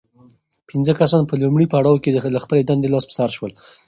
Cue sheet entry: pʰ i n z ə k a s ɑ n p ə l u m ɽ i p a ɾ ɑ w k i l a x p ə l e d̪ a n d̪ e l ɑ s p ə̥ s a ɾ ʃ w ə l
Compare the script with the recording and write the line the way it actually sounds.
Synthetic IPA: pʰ i n z ə k a s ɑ n p ə l u m ɽ i p a ɽ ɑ w k e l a x p ə l e d̪ a n d̪ e l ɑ s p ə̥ s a ɾ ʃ w ə l